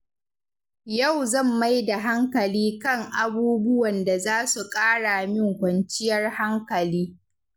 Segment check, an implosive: absent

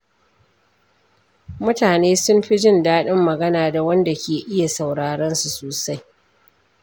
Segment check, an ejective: absent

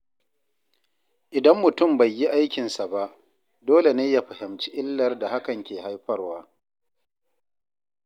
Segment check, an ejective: absent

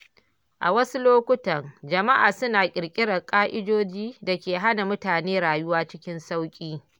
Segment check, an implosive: absent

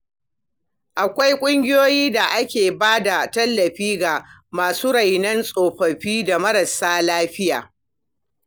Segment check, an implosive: absent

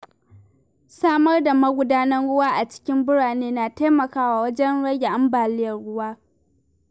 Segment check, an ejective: absent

